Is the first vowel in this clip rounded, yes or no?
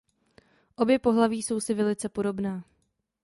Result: yes